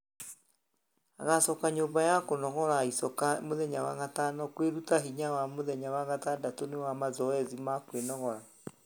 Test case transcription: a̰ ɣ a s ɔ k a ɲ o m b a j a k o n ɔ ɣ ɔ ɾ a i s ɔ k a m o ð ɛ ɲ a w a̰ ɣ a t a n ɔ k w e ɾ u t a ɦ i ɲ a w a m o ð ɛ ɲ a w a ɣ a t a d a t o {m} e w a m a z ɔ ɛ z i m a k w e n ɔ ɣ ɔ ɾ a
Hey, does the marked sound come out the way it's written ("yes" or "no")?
no